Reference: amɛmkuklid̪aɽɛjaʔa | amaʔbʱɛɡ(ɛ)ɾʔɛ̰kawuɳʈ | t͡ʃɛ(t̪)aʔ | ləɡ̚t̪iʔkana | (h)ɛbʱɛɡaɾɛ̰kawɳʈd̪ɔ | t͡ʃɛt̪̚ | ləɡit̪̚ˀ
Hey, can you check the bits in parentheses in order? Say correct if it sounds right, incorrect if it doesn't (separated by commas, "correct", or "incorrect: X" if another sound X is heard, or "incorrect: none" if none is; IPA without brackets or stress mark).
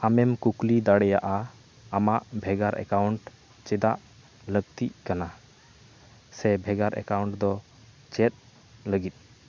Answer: incorrect: a, incorrect: d̪, incorrect: s